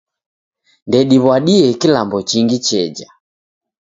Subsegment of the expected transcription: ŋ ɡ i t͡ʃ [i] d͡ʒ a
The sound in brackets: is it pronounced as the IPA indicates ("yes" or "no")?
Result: no